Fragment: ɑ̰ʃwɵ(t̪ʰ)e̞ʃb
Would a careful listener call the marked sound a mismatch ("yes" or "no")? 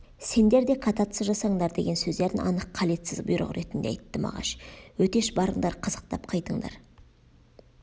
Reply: yes